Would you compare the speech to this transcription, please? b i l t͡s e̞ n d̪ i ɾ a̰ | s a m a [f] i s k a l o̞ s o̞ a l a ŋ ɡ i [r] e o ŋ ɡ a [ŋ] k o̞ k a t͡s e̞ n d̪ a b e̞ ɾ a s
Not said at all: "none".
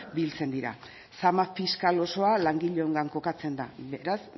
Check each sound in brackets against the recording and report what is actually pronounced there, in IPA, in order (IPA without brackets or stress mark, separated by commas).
f, ʎ, ŋ